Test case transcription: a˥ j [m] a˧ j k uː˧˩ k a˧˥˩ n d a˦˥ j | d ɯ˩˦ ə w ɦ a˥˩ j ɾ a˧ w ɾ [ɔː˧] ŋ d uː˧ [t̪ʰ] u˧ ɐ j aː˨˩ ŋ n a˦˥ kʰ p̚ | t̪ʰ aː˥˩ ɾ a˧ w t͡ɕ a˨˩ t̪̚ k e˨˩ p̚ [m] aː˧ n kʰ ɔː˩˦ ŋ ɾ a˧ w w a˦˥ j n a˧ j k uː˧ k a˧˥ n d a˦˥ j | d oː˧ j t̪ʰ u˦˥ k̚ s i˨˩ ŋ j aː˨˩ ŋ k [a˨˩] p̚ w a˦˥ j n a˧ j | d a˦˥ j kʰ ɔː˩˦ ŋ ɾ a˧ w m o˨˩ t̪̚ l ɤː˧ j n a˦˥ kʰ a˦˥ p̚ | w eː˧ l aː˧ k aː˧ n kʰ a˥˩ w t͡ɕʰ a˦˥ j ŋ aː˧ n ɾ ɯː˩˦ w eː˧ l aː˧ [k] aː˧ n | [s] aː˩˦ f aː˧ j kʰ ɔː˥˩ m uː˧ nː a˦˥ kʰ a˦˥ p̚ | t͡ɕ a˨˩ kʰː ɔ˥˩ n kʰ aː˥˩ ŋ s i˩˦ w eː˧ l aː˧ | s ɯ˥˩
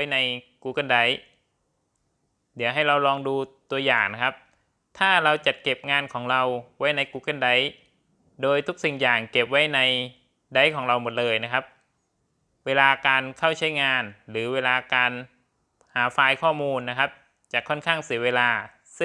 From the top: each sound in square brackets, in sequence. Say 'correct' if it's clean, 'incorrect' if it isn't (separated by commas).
incorrect, correct, incorrect, incorrect, incorrect, correct, incorrect